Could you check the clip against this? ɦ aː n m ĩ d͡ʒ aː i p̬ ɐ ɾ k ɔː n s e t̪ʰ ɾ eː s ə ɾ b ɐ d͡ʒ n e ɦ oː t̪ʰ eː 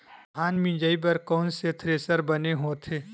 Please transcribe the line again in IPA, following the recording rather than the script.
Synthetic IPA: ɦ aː n m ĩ d͡ʒ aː i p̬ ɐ ɾ k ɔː n s e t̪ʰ ɾ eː s ə ɾ b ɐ n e ɦ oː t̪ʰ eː